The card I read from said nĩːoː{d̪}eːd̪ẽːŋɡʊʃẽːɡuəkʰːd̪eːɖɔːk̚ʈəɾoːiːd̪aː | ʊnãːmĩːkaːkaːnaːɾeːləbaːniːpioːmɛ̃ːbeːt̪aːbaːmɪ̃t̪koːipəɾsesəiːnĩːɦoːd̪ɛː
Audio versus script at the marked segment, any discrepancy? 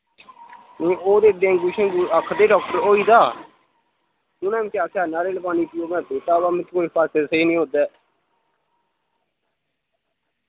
no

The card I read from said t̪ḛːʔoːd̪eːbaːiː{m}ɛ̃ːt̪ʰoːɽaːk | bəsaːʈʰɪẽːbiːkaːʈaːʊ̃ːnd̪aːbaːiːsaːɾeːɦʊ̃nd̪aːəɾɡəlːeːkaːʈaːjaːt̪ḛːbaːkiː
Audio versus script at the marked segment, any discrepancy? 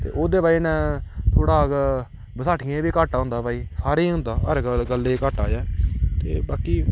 yes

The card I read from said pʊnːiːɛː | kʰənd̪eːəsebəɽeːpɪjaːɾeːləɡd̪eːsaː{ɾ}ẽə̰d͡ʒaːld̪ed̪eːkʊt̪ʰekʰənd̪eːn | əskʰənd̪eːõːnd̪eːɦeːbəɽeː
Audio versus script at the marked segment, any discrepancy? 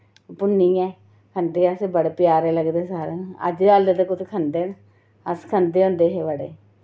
no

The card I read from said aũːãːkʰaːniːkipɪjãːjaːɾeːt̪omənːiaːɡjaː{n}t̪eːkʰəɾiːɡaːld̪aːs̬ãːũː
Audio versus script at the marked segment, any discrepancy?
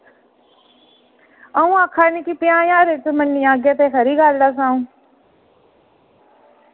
yes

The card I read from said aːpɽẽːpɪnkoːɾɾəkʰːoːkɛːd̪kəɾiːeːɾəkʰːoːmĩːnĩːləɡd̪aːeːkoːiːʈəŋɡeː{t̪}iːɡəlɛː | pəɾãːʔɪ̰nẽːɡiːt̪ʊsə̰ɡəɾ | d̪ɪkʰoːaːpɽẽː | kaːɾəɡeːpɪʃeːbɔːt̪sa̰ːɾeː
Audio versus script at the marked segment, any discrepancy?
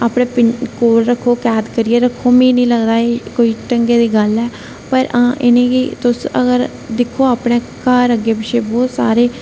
yes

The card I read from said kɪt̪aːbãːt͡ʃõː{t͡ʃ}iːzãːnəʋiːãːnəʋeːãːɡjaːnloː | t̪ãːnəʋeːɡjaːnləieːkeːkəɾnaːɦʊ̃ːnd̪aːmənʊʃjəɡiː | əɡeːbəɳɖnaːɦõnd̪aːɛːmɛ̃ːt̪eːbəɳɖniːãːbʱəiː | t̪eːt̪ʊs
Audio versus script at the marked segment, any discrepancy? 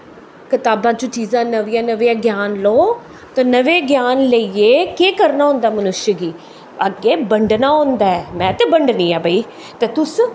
no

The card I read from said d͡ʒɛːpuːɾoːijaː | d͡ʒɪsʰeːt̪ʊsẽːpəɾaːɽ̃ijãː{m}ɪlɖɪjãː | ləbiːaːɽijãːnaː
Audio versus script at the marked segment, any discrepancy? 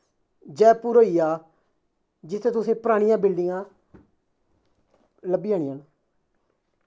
yes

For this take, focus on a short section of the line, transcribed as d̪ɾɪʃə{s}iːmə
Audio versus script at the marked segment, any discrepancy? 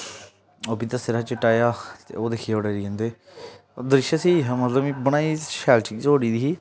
no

